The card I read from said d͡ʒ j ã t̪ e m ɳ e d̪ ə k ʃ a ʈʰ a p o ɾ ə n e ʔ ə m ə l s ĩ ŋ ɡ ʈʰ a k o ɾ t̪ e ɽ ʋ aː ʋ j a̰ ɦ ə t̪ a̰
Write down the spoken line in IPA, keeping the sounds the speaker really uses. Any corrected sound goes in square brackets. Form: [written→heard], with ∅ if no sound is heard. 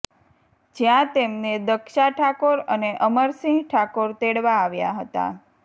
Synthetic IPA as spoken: d͡ʒ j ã t̪ e m [ɳ→n] e d̪ ə k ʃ a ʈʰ a [p→k] o ɾ ə n e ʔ ə m ə [l→ɾ] s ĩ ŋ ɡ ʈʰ a k o ɾ t̪ e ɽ ʋ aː ʋ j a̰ ɦ ə t̪ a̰